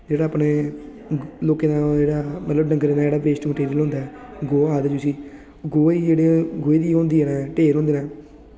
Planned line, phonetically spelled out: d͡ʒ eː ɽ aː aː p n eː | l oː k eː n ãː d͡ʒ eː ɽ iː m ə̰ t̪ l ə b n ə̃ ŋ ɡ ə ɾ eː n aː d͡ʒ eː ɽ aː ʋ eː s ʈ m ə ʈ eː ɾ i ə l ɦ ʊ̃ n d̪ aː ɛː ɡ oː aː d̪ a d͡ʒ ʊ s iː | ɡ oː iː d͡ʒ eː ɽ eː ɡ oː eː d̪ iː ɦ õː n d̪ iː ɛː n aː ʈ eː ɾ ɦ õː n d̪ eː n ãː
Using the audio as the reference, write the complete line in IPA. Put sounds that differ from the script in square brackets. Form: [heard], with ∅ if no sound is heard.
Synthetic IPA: d͡ʒ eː ɽ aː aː p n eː | l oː k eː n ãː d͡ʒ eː ɽ [aː] m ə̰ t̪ l ə b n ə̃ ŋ ɡ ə ɾ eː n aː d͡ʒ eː ɽ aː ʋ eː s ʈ m ə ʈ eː ɾ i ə l ɦ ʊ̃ n d̪ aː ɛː ɡ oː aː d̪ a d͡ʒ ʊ s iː | ɡ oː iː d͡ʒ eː ɽ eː ɡ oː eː d̪ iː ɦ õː n d̪ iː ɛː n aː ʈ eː ɾ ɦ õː n d̪ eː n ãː